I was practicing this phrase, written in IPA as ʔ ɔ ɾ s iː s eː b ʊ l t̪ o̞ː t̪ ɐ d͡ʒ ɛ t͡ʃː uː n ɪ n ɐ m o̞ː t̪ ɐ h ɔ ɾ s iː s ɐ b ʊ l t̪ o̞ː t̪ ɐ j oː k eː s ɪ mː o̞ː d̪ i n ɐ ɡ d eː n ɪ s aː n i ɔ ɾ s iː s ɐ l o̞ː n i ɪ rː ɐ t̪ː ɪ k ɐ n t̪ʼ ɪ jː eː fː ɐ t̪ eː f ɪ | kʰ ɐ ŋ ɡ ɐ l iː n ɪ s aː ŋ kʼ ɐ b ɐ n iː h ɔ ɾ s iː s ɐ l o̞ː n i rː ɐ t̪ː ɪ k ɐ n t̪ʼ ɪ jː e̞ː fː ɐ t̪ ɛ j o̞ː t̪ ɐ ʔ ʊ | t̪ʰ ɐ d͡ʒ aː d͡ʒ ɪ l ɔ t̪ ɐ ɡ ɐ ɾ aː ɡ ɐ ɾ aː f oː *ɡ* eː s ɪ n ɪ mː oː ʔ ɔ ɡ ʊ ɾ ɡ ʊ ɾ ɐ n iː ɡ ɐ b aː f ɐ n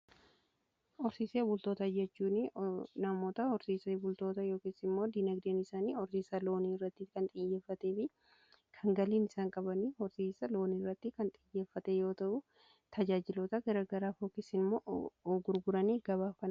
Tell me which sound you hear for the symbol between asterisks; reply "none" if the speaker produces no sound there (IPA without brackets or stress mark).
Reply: k